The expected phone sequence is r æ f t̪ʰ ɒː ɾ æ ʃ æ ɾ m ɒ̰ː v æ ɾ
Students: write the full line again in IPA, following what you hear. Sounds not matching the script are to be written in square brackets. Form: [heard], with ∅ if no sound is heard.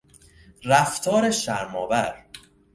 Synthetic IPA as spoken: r æ f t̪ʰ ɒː ɾ [e] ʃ æ ɾ m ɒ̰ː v æ ɾ